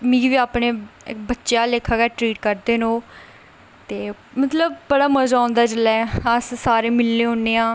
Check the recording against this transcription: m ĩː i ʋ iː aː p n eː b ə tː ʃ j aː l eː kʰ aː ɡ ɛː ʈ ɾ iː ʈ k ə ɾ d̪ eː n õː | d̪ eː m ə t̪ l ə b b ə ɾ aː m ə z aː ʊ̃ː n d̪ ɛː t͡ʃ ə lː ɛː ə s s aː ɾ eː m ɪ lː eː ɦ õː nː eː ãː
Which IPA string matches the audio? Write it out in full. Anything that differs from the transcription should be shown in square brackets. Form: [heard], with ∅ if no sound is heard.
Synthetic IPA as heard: m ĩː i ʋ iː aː p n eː b ə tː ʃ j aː l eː kʰ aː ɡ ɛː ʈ ɾ iː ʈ k ə ɾ d̪ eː n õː | [t̪] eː m ə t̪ l ə b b ə [ɽ] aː m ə z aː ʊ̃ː n d̪ [aː] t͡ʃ ə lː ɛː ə s s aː ɾ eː m ɪ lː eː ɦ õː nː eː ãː

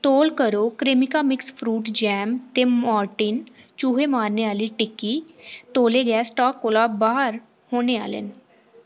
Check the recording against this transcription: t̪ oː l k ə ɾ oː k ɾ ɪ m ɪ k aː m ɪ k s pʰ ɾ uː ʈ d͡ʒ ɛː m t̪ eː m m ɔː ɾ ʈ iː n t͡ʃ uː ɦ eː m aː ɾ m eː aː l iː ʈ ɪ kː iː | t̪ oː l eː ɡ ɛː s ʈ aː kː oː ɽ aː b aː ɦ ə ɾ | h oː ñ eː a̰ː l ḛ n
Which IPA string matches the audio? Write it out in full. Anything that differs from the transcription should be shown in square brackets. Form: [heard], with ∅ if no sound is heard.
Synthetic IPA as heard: t̪ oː l k ə ɾ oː k ɾ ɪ m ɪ k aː m ɪ k s pʰ ɾ uː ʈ d͡ʒ ɛː m t̪ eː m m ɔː ɾ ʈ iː n t͡ʃ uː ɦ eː m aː ɾ [n] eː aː l iː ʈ ɪ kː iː | t̪ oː l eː ɡ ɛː s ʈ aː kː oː [l] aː b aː ɦ ə ɾ | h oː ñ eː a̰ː l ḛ n

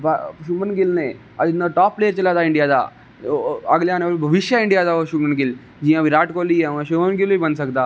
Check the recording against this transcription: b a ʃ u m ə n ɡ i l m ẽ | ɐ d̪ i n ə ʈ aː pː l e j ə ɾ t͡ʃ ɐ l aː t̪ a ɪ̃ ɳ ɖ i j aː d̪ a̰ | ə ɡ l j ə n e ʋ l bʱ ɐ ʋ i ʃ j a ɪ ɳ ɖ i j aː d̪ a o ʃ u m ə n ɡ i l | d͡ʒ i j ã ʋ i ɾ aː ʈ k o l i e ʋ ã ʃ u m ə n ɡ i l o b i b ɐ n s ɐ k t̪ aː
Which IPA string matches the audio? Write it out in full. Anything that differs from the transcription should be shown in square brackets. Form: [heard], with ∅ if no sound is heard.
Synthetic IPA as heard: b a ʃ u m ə n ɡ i l [n] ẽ | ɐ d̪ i n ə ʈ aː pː l e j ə ɾ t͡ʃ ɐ l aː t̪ a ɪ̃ ɳ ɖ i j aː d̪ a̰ | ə ɡ l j [a] n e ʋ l bʱ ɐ ʋ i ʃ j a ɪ ɳ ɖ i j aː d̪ a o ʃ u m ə n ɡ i l | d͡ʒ i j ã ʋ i ɾ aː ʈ k o l i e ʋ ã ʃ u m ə n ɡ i l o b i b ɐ n s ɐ k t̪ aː

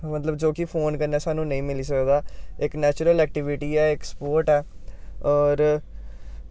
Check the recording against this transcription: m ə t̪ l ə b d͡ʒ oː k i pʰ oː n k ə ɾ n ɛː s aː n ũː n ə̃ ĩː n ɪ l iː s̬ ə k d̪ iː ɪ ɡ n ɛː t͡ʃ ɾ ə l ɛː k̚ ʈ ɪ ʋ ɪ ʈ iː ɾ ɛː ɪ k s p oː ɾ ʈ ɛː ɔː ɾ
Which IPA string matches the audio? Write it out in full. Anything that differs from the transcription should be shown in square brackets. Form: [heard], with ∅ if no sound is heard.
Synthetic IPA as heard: m ə t̪ l ə b d͡ʒ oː k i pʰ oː n k ə ɾ n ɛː s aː n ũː n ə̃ ĩː [m] ɪ l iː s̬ ə k d̪ [aː] ɪ [k] n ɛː t͡ʃ ɾ ə l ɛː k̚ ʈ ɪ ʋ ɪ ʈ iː [∅] ɛː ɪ k s p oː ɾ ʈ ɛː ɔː ɾ

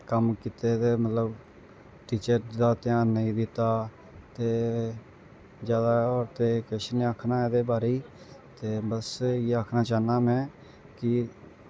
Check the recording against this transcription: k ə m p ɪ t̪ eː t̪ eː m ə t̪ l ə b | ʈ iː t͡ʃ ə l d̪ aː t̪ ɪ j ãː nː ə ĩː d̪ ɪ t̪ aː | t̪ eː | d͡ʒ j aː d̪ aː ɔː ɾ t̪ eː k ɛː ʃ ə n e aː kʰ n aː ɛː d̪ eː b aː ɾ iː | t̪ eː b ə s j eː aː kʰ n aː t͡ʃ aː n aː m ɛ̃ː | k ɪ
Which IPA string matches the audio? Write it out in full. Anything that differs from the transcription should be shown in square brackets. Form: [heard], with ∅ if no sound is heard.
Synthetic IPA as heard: k ə m [k] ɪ t̪ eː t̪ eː m ə t̪ l ə b | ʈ iː t͡ʃ ə [ɾ] d̪ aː t̪ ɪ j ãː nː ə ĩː d̪ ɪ t̪ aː | t̪ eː | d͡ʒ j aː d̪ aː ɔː ɾ t̪ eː k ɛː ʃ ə n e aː kʰ n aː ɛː d̪ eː b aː ɾ iː | t̪ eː b ə s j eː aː kʰ n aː t͡ʃ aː n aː m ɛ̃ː | k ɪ

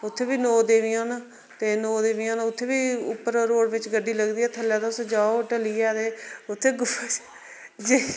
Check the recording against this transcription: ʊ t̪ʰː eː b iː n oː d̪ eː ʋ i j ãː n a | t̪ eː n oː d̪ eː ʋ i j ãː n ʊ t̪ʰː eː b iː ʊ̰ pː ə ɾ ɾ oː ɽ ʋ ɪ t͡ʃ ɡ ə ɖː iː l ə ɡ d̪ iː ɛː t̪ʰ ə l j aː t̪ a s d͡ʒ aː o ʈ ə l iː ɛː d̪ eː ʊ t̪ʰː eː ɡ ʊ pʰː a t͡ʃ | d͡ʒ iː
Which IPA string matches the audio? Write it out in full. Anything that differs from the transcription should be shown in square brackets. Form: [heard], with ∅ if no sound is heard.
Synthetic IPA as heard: ʊ t̪ʰː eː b iː n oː d̪ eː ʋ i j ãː n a | t̪ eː n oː d̪ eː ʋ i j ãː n ʊ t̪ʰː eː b iː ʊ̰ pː ə ɾ ɾ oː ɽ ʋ ɪ t͡ʃ ɡ ə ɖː iː l ə ɡ d̪ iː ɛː t̪ʰ ə l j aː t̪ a s d͡ʒ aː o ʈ ə l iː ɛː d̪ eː ʊ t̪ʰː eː ɡ ʊ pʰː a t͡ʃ | d͡ʒ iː

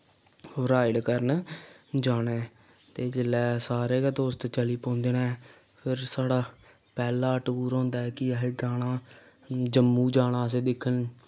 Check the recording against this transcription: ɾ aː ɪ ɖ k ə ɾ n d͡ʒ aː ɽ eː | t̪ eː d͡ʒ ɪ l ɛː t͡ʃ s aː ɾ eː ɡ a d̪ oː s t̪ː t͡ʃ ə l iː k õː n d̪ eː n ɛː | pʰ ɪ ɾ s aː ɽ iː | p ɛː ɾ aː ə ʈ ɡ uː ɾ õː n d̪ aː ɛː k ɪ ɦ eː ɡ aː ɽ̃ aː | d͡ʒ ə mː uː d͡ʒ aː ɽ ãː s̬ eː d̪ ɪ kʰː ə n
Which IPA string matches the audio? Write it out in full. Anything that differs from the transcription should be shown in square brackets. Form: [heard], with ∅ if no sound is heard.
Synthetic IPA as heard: ɾ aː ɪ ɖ k ə ɾ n d͡ʒ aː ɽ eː | t̪ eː d͡ʒ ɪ l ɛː [∅] s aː ɾ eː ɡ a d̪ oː s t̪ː t͡ʃ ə l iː [p] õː n d̪ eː n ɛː | pʰ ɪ ɾ s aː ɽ [aː] | p ɛː [l] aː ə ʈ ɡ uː ɾ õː n d̪ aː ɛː k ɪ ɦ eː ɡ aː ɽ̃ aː | d͡ʒ ə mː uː d͡ʒ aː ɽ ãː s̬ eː d̪ ɪ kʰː ə n

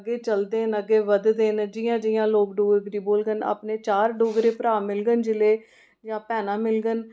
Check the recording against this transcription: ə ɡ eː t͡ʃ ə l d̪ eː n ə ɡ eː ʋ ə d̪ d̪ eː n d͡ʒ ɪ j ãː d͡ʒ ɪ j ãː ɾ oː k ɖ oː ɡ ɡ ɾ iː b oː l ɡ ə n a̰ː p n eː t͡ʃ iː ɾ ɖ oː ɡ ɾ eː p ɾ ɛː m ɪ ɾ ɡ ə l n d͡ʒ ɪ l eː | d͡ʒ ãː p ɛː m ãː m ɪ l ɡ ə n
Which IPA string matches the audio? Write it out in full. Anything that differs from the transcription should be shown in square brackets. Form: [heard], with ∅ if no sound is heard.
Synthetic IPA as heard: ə ɡ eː t͡ʃ ə l d̪ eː n ə ɡ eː ʋ ə d̪ d̪ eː n d͡ʒ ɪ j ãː d͡ʒ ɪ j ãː [l] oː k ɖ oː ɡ ɡ ɾ iː b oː l ɡ ə n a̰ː p n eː t͡ʃ [aː] ɾ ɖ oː ɡ ɾ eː p ɾ [aː] m ɪ [l] ɡ ə [∅] n d͡ʒ ɪ l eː | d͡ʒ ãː p ɛː [n] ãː m ɪ l ɡ ə n

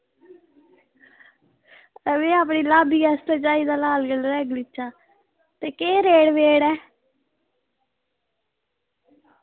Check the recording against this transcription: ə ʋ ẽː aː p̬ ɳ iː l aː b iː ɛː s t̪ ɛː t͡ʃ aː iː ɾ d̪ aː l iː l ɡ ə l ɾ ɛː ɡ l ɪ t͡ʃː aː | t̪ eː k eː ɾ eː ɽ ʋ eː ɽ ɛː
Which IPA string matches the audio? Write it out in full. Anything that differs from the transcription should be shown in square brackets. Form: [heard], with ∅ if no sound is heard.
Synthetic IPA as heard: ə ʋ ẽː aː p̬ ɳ iː l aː b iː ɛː s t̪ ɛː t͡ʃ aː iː [∅] d̪ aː l [aː] l ɡ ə l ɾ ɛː ɡ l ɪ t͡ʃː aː | t̪ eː k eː ɾ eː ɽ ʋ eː ɽ ɛː

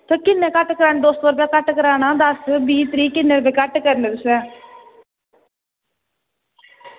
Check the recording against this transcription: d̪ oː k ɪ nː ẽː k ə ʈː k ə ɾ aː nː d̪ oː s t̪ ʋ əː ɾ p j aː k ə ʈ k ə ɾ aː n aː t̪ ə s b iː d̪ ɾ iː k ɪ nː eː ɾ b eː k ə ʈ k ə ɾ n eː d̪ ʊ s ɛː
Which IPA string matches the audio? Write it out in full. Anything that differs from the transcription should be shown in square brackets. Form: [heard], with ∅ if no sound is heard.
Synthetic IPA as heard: [t̪] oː k ɪ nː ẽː k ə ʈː k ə ɾ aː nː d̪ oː s t̪ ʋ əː ɾ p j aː k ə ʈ k ə ɾ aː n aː [d̪] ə s b iː [t̪] ɾ iː k ɪ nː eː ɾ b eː k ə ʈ k ə ɾ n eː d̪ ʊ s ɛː

